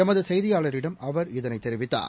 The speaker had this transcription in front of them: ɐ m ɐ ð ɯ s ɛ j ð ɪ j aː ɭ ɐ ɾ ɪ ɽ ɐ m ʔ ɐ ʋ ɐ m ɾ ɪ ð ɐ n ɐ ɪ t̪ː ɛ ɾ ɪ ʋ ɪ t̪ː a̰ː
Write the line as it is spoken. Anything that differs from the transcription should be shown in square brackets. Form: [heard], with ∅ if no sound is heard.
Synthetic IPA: ɐ m ɐ ð ɯ s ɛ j ð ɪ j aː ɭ ɐ ɾ ɪ ɽ ɐ m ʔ ɐ ʋ ɐ [∅] ɾ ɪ ð ɐ n ɐ ɪ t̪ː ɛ ɾ ɪ ʋ ɪ t̪ː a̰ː